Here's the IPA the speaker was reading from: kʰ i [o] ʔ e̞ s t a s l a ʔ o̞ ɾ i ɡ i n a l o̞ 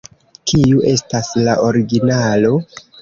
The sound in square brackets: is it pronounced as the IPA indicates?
no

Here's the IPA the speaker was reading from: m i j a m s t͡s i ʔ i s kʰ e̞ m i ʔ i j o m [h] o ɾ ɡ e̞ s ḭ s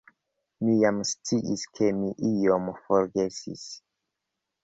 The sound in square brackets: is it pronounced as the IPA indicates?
no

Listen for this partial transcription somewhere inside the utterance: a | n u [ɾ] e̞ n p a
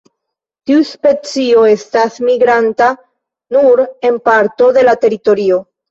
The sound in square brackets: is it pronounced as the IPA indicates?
yes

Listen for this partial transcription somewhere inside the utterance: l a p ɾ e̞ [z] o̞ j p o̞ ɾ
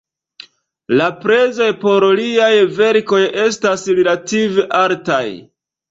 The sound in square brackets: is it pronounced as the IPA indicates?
yes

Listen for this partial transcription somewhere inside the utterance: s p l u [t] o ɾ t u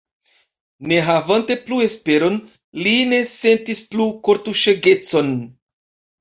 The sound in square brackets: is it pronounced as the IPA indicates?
no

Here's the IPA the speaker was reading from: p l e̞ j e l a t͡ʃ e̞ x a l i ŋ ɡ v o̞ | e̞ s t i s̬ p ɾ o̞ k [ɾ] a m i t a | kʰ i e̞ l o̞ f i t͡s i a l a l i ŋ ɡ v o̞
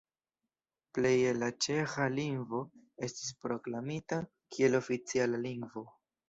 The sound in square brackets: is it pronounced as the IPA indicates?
no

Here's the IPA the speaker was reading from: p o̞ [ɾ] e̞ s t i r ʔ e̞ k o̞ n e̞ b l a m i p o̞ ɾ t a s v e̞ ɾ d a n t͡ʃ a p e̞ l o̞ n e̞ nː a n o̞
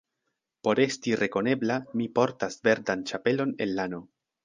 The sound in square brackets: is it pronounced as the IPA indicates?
yes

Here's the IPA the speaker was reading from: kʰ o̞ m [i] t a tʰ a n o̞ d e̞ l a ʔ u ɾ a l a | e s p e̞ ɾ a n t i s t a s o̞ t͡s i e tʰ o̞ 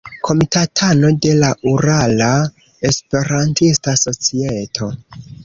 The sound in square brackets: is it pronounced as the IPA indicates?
yes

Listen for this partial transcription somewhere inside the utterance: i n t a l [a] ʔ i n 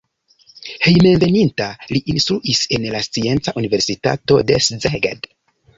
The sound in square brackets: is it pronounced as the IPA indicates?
no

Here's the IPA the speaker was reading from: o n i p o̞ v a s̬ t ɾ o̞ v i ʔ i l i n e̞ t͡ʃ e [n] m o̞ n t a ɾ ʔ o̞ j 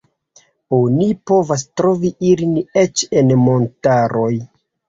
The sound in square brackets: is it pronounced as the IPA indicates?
yes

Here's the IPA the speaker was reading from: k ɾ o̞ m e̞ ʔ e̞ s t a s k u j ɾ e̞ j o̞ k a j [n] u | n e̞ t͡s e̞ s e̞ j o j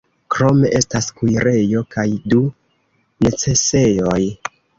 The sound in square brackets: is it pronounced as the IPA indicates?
no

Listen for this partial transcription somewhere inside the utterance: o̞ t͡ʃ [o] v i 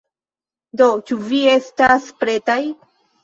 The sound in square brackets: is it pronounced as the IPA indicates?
no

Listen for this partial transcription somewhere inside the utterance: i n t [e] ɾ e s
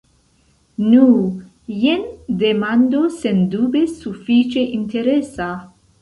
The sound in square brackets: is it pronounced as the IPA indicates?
yes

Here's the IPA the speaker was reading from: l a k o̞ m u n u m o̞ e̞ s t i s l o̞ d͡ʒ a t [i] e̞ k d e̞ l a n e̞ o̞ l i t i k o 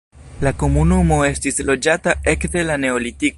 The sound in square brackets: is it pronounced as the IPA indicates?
no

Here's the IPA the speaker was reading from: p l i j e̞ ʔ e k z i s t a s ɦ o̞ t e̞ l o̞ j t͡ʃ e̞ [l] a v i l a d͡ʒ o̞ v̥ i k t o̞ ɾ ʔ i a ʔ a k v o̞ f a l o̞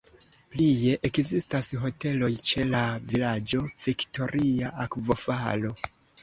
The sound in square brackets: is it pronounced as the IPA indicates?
yes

